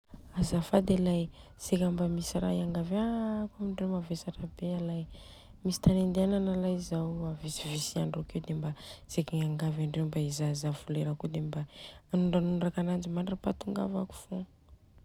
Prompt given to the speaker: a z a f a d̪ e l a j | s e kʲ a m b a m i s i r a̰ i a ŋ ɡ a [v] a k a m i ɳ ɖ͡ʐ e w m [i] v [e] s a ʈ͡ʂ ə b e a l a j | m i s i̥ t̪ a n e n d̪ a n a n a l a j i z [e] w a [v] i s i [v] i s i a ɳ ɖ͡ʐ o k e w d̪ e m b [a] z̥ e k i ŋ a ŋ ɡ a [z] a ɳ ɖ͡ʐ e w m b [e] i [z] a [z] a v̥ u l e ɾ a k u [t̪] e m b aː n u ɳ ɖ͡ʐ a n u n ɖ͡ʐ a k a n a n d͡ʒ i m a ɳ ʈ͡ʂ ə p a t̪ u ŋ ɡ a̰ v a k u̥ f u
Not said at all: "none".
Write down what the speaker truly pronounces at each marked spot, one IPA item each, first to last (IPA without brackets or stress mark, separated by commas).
v, a, e, a, v, v, a, v, a, z, z, d̪